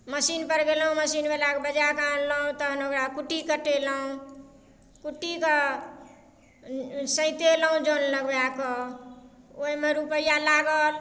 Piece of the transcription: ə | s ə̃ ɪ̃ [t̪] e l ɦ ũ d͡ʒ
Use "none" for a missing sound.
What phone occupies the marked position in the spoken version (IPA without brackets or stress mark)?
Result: t̪